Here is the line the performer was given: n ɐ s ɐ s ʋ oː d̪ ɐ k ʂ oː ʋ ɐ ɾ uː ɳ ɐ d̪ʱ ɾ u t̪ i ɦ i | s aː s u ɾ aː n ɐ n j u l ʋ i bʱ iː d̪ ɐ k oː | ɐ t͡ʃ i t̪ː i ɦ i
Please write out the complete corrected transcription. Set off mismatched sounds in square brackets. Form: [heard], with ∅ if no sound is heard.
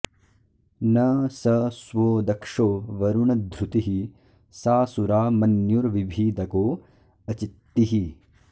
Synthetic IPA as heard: n ɐ s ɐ s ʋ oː d̪ ɐ k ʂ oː ʋ ɐ ɾ [u] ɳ ɐ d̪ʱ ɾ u t̪ i ɦ i | s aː s u ɾ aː [m] ɐ n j u [ɾ] ʋ i bʱ iː d̪ ɐ k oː | ɐ t͡ʃ i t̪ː i ɦ i